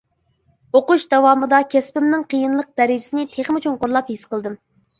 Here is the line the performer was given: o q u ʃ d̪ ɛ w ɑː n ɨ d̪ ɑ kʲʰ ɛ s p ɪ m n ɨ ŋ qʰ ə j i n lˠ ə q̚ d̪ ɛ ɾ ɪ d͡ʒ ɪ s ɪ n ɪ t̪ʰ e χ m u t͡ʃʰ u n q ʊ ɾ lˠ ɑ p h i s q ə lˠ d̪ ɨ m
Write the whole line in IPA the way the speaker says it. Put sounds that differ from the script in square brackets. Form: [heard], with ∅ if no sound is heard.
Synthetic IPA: o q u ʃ d̪ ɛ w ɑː [m] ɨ d̪ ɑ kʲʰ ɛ s p ɪ m n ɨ ŋ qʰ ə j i n lˠ ə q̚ d̪ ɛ ɾ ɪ d͡ʒ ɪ s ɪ n ɪ t̪ʰ e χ m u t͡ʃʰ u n q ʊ ɾ lˠ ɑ p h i s q ə lˠ d̪ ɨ m